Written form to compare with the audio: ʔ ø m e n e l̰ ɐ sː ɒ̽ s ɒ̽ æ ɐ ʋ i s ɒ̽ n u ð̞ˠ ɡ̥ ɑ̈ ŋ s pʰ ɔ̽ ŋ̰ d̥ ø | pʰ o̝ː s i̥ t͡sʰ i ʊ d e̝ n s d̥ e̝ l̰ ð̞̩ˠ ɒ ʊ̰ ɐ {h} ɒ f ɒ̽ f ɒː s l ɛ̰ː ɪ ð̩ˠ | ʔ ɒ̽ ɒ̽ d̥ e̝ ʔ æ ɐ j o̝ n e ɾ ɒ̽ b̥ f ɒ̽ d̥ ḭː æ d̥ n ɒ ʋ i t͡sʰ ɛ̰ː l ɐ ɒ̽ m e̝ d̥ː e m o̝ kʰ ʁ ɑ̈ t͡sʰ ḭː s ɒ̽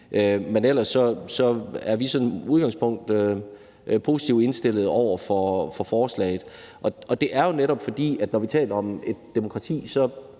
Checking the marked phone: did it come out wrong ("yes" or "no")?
yes